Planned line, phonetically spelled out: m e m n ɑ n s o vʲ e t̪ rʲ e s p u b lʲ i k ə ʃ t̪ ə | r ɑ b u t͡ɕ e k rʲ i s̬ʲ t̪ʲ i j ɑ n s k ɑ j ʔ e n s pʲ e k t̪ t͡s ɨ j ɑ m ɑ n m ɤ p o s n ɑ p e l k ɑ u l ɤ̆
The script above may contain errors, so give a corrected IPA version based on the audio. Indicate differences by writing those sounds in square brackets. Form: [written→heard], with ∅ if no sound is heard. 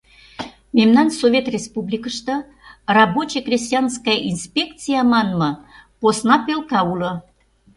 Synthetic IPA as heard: m e m n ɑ n s o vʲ e t̪ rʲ e s p u b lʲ i k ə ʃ t̪ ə | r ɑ b [u→o] t͡ɕ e k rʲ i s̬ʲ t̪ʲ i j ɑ n s k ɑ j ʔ [e→i] n s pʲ e k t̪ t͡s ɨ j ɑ m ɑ n m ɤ p o s n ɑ p e l k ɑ u l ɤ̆